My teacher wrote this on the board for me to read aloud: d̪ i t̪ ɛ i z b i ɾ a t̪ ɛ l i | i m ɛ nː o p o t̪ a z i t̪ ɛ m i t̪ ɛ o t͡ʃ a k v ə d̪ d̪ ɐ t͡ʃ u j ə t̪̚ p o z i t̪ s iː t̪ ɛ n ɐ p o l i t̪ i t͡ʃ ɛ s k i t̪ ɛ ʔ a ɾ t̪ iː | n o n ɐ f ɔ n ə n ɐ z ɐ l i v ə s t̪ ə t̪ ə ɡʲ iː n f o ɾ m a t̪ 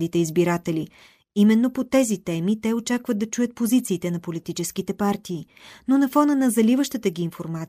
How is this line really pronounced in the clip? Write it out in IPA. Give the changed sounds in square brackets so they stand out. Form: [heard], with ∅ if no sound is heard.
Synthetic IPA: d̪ i t̪ ɛ i z b i ɾ a t̪ ɛ l i | i m ɛ nː o p o t̪ [ɛ] z i t̪ ɛ m i t̪ ɛ o t͡ʃ a k v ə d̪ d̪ ɐ t͡ʃ u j ə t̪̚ p o z i t̪ s iː t̪ ɛ n ɐ p o l i t̪ i t͡ʃ ɛ s k i t̪ ɛ [p] a ɾ t̪ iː | n o n ɐ f ɔ n ə n ɐ z ɐ l i v ə [ʃ] t̪ ə t̪ ə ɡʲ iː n f o ɾ m a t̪